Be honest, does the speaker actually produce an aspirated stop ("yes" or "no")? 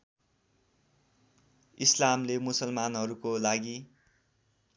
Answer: no